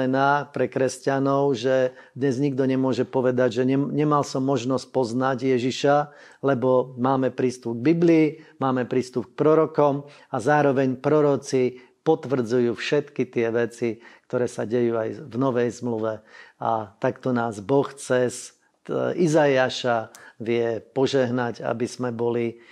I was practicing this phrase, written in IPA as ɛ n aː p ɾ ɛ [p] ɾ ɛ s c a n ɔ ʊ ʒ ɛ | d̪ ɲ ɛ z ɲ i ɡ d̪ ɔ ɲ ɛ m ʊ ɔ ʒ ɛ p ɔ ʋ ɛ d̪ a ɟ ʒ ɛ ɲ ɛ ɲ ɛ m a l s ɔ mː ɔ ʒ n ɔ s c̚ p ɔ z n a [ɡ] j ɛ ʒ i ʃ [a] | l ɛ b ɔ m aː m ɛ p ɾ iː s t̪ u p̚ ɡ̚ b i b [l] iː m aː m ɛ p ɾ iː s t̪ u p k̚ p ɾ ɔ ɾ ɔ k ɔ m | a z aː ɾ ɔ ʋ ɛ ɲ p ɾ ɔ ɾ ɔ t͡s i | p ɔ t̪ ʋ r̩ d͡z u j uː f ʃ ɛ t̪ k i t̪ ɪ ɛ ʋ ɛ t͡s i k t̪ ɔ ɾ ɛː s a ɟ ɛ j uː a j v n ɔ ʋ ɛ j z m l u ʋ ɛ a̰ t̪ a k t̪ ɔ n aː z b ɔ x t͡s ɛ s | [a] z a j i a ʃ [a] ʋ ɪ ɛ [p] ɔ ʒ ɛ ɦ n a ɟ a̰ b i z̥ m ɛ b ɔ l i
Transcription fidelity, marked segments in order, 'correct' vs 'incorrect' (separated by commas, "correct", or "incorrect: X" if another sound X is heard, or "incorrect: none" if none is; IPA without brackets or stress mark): incorrect: k, incorrect: ɟ, correct, correct, incorrect: i, correct, correct